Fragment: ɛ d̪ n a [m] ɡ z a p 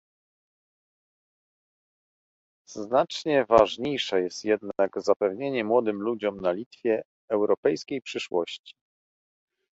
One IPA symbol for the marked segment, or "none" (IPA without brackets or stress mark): none